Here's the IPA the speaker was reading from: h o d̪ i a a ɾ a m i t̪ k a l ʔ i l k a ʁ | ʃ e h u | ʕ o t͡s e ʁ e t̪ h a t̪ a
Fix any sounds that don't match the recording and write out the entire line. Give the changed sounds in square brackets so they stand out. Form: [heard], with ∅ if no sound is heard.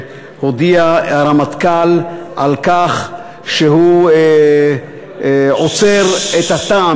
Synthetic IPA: h o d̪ i a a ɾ a m [a] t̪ k a l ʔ [a] l k a [χ] | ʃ e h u | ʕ o t͡s e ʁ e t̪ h a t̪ a